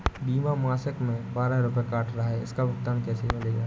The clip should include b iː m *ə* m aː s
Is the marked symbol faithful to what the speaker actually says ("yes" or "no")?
no